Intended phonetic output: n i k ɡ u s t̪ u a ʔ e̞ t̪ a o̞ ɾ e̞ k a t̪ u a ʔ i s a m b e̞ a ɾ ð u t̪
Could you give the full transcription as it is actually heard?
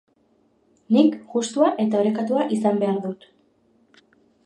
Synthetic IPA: n i k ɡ u s t̪ u a ʔ e̞ t̪ a o̞ ɾ e̞ k a t̪ u a ʔ i s a m b e̞ a ɾ ð u t̪